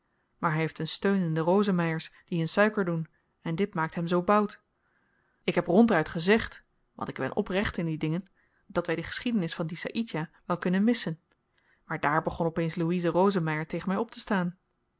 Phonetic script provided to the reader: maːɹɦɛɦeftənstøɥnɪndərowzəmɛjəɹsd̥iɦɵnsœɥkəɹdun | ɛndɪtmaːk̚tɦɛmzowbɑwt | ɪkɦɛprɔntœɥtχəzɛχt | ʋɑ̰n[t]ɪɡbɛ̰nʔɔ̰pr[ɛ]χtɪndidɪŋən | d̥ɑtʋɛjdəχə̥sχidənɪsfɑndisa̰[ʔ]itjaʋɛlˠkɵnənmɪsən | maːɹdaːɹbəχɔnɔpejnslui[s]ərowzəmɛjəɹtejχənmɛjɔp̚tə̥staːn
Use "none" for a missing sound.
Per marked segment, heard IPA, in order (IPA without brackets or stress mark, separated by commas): t, ɛ, ʔ, z